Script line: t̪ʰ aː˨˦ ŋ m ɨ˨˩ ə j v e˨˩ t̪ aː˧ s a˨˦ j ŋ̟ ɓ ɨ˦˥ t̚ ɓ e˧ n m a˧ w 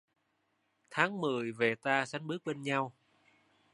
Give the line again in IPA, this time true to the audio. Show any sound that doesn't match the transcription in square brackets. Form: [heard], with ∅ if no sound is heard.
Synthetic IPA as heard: t̪ʰ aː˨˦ ŋ m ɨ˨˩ ə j v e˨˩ t̪ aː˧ s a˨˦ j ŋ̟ ɓ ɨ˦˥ [k̚] ɓ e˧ n [ɲ] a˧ w